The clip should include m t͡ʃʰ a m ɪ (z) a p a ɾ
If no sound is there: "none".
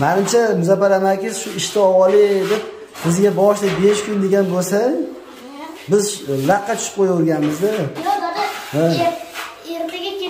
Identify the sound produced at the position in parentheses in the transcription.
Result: z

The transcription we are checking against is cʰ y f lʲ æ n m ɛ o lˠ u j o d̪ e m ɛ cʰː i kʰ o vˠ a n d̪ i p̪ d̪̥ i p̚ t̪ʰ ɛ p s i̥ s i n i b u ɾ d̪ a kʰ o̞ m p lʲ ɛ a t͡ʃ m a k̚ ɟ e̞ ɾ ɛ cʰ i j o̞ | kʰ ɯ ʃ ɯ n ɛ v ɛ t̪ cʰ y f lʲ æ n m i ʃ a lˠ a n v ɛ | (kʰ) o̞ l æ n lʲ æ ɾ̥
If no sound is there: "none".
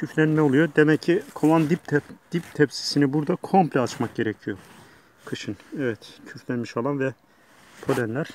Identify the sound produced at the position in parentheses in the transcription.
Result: pʰ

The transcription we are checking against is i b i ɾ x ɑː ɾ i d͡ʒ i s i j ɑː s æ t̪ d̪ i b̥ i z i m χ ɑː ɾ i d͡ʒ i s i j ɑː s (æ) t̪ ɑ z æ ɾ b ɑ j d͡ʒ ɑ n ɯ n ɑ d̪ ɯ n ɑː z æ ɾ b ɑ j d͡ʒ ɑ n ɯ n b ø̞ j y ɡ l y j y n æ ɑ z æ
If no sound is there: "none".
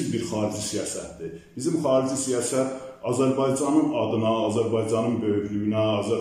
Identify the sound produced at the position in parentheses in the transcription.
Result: æ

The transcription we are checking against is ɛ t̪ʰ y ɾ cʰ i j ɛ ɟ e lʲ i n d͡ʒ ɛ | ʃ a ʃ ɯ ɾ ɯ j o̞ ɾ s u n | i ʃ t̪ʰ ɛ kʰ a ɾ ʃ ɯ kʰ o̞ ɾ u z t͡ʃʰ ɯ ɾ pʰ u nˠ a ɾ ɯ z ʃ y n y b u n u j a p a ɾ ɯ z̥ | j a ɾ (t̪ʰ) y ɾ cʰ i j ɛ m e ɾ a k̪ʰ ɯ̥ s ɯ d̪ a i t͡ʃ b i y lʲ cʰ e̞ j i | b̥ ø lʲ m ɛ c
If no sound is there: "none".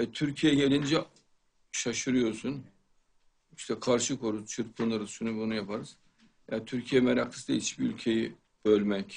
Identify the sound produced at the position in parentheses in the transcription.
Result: t̪ʰ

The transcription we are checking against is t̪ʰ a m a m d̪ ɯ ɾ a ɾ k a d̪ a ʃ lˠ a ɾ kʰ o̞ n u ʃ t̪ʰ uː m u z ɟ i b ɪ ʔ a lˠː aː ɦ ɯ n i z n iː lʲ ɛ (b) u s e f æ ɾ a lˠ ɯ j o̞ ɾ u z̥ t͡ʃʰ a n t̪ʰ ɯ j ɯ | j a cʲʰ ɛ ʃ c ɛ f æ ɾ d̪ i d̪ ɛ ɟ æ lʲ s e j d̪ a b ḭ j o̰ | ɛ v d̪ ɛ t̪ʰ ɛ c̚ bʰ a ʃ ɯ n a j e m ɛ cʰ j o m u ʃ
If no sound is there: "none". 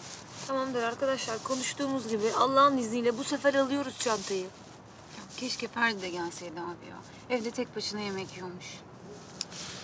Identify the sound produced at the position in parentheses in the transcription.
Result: b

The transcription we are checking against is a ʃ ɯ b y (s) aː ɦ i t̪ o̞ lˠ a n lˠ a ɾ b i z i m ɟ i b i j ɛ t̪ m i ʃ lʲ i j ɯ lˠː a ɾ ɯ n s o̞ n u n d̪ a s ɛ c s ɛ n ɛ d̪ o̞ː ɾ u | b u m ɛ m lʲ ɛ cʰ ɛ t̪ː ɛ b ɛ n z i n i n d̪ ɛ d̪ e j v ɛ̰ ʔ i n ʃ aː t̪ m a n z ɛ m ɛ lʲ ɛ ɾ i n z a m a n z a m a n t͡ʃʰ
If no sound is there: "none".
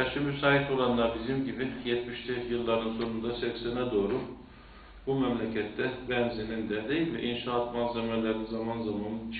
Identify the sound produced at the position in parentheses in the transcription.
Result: s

